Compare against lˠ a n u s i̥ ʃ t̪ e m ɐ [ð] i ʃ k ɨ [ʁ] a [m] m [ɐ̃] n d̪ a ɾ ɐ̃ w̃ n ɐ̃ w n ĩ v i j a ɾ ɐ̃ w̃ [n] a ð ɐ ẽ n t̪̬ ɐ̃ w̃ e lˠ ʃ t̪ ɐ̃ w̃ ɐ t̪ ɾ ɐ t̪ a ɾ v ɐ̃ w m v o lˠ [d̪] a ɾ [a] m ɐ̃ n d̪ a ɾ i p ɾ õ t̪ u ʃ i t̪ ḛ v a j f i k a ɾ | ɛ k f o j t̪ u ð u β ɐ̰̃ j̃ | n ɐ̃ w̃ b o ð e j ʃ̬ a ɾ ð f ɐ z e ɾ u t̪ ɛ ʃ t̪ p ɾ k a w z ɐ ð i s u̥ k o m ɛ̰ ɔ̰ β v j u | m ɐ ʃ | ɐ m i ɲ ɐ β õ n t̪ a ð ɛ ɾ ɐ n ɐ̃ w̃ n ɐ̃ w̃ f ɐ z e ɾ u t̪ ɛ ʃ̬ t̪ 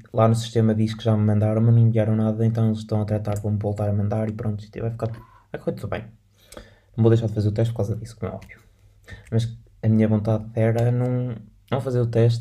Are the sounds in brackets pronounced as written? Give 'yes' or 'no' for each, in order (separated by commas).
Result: yes, no, yes, yes, yes, no, no